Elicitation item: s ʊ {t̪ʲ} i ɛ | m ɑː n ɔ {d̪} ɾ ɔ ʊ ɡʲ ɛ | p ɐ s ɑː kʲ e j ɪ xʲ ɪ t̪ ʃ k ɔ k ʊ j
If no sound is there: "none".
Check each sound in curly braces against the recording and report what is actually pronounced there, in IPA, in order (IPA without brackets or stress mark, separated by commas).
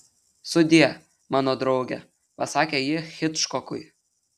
d̪ʲ, d̪